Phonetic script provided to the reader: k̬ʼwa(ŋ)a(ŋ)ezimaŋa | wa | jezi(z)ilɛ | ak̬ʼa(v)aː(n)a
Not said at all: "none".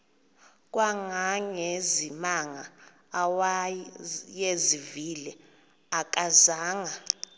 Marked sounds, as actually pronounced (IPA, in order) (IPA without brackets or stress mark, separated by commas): ŋ, ŋ, v, z, ŋ